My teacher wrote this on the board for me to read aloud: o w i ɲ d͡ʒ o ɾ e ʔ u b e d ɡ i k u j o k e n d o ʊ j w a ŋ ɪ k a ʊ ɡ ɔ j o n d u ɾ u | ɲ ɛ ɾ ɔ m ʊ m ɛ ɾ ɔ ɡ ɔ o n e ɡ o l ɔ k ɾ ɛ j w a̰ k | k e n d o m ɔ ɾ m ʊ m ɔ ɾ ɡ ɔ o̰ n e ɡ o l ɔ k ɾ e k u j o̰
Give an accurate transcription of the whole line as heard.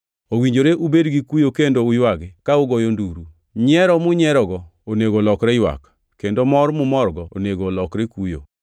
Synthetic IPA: o w i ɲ d͡ʒ o ɾ e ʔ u b e d ɡ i k u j o k e n d o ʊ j w a ɡ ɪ k a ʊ ɡ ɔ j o n d u ɾ u | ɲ ɛ ɾ ɔ m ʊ ɲ ɛ ɾ ɔ ɡ ɔ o n e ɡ o l ɔ k ɾ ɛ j w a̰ k | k e n d o m ɔ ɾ m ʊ m ɔ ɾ ɡ ɔ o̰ n e ɡ o l ɔ k ɾ e k u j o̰